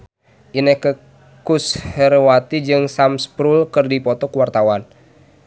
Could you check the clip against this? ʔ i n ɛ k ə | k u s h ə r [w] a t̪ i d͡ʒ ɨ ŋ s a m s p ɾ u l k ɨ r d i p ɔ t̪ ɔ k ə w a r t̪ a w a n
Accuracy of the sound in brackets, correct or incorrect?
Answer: correct